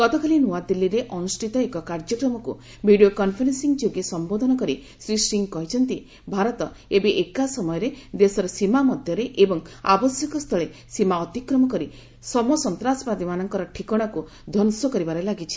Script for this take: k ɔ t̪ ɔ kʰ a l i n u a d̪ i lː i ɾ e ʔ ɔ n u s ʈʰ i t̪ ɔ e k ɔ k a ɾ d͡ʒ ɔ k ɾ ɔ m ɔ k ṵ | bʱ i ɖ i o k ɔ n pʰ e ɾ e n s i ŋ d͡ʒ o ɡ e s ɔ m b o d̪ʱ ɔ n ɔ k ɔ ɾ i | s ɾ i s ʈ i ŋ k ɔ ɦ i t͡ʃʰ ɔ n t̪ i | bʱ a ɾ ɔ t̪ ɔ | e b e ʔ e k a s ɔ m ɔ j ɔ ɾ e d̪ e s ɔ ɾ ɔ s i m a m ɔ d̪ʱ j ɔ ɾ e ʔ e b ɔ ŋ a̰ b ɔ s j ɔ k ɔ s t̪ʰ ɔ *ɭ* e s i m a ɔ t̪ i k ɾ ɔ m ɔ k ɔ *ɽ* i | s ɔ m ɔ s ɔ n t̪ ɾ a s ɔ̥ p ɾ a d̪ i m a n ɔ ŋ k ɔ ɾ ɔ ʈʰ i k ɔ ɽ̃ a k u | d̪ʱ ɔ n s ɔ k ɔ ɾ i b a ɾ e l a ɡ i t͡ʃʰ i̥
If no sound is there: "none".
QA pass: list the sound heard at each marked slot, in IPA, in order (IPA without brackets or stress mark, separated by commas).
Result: ɭ, ɾ